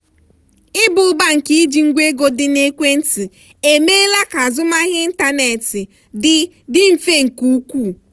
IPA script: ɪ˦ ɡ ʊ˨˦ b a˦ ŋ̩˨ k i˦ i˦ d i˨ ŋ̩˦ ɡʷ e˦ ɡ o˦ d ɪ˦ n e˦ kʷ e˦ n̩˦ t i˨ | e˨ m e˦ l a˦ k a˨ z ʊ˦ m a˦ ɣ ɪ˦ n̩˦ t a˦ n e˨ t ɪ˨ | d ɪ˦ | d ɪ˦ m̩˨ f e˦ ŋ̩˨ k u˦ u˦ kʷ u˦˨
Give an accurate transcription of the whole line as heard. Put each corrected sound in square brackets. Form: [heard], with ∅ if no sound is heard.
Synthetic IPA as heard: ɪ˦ [b] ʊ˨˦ b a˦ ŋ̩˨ k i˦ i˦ [d͡ʒ] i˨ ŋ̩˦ ɡʷ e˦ ɡ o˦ d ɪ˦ n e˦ kʷ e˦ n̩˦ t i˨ | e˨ m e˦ l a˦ k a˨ z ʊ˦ m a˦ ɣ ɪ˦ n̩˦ t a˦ n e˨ t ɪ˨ | d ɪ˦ | d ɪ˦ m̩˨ f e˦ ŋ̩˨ k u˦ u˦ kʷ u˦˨